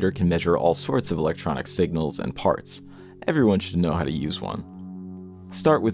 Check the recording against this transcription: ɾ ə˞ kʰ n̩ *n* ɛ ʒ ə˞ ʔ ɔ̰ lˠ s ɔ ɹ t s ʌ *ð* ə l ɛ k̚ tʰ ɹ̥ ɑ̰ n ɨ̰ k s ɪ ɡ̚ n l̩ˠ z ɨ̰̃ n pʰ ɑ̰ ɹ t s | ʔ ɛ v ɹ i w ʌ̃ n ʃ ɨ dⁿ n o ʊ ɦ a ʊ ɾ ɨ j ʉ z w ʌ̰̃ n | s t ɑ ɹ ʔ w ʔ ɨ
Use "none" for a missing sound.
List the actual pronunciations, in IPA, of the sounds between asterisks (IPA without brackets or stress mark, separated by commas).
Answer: m, v